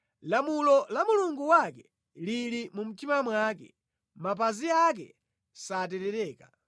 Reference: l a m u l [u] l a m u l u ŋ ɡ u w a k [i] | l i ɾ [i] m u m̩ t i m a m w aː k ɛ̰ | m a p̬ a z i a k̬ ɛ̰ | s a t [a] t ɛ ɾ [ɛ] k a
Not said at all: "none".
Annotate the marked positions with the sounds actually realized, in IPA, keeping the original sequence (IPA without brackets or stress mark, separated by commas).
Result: ɔ, ɛ, i, ɛ, ɛː